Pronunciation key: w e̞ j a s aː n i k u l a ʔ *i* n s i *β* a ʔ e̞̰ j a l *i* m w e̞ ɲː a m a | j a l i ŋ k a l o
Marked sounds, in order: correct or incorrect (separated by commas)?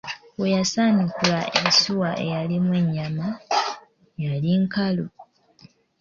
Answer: incorrect, incorrect, correct